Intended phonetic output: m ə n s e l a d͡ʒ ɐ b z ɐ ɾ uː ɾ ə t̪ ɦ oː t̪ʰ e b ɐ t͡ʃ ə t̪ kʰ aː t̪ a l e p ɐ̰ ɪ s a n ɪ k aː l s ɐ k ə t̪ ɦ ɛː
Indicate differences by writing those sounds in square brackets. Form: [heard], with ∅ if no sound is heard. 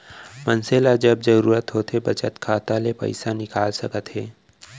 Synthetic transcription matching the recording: m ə n s e l a d͡ʒ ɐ b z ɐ ɾ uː ɾ ə t̪ ɦ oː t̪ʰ e b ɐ t͡ʃ ə t̪ kʰ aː t̪ a l e p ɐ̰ ɪ s a n ɪ k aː l s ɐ k ə t̪ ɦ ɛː